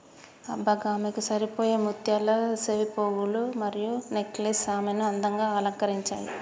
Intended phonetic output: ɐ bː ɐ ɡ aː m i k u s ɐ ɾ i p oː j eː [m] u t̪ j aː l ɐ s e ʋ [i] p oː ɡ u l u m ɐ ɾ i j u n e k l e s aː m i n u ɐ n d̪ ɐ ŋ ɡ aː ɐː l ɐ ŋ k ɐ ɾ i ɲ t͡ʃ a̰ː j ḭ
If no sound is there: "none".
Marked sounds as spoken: m, i

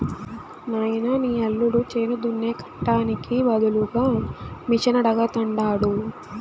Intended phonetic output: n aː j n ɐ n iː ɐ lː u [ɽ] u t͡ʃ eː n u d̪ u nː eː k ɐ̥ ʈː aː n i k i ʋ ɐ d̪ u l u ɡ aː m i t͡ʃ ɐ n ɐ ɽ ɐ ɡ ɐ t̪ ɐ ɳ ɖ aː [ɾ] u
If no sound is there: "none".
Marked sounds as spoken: ɽ, ɽ

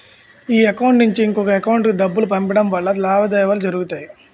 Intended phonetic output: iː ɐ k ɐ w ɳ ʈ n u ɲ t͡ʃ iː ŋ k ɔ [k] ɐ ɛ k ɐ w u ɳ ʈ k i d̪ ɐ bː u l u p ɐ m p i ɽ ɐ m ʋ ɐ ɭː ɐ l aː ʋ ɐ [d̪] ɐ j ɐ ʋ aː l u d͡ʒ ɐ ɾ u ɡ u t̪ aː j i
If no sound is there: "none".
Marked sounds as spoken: k, d̪

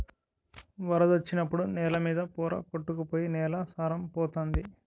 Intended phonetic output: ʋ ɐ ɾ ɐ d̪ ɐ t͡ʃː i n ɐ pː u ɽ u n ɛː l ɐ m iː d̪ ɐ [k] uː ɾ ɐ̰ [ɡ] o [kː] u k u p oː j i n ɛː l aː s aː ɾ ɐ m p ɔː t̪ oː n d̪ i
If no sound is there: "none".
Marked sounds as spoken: p, k, ʈː

